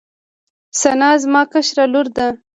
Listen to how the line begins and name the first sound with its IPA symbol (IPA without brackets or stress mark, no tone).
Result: s